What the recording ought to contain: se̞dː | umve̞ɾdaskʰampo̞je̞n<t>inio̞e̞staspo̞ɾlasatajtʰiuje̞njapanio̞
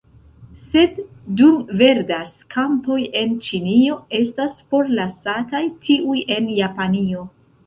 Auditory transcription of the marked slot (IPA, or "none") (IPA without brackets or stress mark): t͡ʃ